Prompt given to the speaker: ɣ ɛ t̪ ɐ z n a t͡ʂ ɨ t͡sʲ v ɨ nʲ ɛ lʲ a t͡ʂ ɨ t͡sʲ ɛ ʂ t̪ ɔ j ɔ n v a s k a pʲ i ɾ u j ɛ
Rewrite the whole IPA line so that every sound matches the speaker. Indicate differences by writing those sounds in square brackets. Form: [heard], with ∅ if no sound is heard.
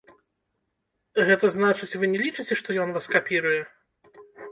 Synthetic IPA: ɣ ɛ t̪ ɐ z n a t͡ʂ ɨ t͡sʲ v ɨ nʲ ɛ lʲ [i] t͡ʂ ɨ t͡sʲ ɛ ʂ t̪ ɔ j ɔ n v a s k a pʲ i ɾ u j ɛ